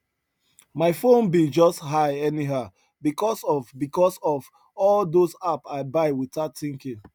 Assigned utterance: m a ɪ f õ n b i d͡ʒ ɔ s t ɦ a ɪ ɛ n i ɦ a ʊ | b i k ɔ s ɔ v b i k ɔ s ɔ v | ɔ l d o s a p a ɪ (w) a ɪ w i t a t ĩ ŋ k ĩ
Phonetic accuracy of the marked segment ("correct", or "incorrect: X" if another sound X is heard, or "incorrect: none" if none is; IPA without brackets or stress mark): incorrect: b